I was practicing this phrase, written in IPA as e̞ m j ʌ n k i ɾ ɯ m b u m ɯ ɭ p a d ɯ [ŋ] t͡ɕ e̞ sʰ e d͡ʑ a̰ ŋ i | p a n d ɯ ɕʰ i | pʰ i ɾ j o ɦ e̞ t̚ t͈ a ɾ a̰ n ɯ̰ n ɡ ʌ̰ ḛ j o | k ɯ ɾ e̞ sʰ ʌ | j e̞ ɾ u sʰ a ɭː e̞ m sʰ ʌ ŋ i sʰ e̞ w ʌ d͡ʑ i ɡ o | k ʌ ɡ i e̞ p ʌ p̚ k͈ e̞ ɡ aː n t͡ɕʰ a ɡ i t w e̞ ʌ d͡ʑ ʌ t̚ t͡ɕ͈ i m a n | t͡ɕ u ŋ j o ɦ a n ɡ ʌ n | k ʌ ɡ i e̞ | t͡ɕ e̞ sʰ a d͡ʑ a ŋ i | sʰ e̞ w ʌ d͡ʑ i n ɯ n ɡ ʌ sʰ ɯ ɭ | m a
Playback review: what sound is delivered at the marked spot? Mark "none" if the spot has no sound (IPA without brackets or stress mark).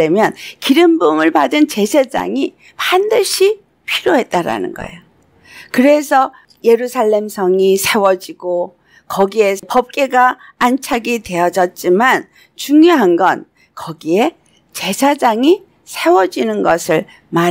n